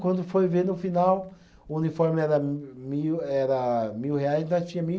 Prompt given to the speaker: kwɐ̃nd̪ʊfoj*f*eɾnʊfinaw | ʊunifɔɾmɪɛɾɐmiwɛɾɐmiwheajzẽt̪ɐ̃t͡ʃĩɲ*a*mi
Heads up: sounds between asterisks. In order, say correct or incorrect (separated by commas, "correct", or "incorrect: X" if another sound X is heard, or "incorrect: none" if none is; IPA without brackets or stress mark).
incorrect: v, incorrect: ɐ